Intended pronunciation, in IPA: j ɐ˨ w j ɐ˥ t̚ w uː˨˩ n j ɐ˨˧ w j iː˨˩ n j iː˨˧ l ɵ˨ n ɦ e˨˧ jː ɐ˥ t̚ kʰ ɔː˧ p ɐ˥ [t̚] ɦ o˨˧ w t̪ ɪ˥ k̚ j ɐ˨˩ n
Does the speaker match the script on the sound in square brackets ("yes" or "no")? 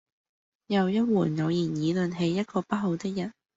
yes